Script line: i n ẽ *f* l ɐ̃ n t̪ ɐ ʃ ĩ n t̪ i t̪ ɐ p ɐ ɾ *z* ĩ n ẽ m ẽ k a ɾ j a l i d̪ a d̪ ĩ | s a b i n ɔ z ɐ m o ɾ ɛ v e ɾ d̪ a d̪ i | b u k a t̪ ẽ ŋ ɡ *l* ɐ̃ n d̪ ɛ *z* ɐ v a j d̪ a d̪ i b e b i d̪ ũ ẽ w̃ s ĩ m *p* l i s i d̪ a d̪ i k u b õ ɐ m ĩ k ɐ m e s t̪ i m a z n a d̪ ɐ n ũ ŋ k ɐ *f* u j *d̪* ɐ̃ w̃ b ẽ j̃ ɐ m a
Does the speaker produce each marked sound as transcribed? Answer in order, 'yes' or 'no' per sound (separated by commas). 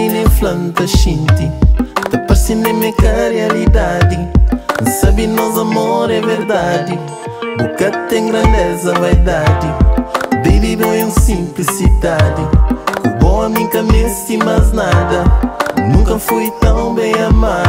yes, no, no, yes, yes, yes, no